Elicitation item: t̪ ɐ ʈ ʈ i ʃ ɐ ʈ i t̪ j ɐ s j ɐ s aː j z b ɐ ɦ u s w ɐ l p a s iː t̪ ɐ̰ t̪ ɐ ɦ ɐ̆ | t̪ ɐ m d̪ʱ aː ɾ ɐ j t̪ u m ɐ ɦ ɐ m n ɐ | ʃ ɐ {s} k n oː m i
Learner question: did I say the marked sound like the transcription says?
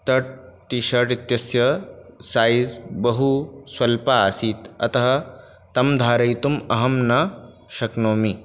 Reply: no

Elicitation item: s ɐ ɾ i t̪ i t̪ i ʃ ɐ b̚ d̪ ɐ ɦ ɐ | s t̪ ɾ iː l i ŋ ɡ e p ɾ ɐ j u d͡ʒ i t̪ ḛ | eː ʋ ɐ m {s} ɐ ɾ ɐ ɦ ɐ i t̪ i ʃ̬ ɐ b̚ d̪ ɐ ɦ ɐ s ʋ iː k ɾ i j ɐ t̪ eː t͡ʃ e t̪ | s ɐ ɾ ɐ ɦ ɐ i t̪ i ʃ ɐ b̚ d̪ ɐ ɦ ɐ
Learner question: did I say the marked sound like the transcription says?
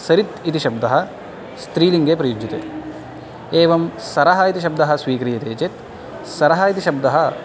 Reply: yes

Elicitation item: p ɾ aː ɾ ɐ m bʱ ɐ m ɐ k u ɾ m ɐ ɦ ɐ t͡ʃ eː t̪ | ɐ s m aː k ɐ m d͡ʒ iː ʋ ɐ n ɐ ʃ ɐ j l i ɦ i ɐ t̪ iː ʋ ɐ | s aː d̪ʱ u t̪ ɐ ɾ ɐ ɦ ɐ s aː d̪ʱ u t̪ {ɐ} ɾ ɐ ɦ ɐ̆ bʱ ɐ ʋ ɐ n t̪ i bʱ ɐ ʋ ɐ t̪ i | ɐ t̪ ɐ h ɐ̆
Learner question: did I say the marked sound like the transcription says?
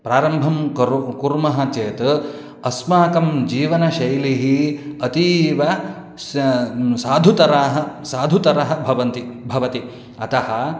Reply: yes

